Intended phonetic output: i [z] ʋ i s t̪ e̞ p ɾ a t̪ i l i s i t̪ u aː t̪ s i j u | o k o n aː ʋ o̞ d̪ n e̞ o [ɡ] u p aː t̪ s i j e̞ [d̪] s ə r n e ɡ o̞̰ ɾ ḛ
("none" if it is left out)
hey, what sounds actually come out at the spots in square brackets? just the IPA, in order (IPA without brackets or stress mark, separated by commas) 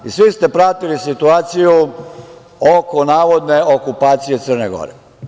s, k, t̪